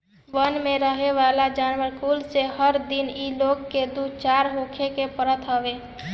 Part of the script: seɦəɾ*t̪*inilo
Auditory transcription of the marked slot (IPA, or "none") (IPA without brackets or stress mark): d̪